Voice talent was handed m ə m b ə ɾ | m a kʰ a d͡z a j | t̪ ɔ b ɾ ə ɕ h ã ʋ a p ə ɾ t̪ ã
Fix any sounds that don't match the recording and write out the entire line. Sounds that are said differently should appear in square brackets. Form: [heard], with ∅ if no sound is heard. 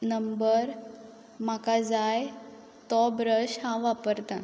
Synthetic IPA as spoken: [n] ə m b ə ɾ | m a [k] a d͡z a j | t̪ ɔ b ɾ ə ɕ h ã ʋ a p ə ɾ t̪ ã